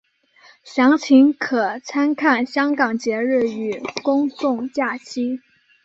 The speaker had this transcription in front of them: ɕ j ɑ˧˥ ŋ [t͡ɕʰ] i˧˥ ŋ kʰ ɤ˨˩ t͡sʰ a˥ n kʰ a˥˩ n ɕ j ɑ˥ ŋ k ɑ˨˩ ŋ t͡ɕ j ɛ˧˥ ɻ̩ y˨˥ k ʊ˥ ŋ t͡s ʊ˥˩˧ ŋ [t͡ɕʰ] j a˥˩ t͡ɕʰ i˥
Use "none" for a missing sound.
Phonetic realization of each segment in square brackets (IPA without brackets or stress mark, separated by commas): t͡ɕʰ, t͡ɕ